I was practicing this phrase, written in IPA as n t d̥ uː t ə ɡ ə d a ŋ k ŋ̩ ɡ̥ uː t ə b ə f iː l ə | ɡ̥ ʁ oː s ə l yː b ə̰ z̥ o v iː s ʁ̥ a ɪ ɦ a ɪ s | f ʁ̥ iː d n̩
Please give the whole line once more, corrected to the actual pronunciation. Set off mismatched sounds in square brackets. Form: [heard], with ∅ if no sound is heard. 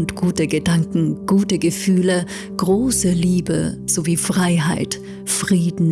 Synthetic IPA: n t [ɡ̥] uː t ə ɡ ə d a ŋ k ŋ̩ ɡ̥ uː t ə [ɡ] ə f [yː] l ə | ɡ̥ ʁ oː s ə l [iː] b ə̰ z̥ o v iː [f] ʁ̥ a ɪ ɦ a ɪ [t] | f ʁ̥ iː d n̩